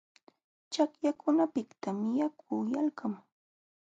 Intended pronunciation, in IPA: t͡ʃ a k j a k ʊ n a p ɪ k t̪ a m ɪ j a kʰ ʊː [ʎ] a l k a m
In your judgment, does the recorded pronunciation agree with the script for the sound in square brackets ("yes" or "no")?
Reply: no